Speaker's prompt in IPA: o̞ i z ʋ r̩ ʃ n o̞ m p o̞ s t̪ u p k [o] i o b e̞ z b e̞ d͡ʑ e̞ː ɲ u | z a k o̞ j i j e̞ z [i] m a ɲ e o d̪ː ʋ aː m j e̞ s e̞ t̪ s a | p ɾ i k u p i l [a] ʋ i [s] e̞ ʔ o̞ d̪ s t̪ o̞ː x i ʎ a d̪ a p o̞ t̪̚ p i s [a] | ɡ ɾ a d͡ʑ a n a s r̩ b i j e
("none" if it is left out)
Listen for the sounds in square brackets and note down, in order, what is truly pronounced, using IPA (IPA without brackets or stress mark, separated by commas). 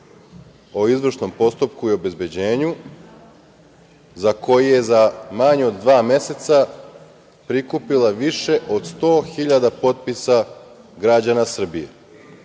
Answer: u, a, a, ʃ, a